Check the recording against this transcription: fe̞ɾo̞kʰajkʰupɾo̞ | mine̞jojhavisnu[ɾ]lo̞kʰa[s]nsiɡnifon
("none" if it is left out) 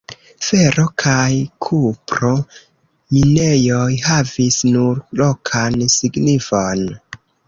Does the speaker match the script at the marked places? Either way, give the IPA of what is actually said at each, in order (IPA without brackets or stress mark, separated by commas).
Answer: ɾ, none